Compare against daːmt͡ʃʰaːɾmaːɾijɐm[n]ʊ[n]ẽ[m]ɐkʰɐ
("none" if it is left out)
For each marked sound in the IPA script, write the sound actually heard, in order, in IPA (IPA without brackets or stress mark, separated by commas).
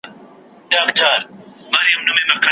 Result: n, m, m